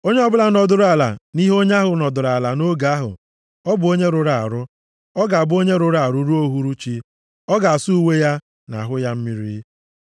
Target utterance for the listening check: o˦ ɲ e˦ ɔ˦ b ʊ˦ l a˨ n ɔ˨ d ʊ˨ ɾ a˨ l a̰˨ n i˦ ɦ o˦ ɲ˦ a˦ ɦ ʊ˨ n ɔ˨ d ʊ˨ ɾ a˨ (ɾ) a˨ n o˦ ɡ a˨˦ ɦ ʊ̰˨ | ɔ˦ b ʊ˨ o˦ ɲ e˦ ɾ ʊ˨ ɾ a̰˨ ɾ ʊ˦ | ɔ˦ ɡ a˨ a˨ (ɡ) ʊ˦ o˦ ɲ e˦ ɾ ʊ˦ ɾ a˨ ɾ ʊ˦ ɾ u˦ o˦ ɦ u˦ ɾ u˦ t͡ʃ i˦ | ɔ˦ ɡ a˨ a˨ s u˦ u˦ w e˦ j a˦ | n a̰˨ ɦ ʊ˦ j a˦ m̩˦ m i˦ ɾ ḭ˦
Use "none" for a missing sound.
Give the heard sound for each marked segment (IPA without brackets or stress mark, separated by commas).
l, b